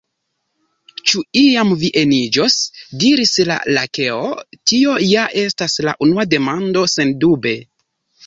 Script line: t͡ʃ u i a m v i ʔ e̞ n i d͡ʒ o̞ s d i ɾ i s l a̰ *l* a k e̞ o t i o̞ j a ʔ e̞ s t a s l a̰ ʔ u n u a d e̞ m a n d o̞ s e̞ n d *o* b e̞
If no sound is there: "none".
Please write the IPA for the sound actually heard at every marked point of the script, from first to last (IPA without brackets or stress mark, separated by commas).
l, u